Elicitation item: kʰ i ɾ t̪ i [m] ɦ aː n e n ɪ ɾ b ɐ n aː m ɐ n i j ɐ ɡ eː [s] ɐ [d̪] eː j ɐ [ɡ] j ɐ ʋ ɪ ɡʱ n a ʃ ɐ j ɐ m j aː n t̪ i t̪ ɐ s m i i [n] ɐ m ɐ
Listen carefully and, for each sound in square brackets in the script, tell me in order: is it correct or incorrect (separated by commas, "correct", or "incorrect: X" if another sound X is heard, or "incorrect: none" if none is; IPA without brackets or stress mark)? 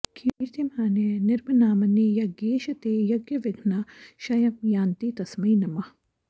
correct, incorrect: ʃ, incorrect: t̪, correct, correct